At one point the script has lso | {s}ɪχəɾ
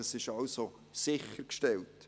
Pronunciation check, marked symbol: correct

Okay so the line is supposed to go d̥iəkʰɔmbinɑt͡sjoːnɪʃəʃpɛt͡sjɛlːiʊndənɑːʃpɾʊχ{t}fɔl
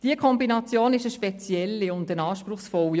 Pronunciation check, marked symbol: incorrect: s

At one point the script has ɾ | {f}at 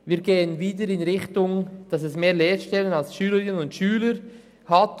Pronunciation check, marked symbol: incorrect: h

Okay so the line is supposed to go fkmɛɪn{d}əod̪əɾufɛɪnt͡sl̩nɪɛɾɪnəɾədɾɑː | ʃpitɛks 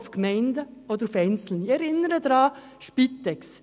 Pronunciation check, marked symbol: correct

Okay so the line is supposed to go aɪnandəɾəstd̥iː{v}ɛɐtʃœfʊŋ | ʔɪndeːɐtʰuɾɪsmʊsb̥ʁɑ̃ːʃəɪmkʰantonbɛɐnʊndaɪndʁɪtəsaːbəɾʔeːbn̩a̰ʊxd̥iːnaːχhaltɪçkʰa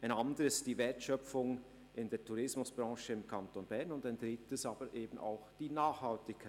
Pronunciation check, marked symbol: correct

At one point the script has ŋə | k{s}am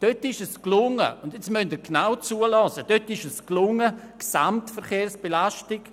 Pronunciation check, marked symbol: correct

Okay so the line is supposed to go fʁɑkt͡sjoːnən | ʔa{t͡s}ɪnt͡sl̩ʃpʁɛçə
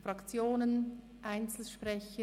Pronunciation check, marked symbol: incorrect: none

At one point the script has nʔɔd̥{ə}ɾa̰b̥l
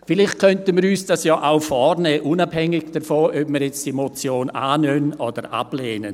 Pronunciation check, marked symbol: correct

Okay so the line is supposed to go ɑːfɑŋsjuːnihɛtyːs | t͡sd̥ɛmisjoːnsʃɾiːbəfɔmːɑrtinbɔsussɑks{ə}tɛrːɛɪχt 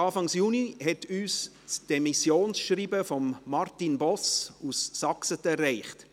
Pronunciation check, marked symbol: correct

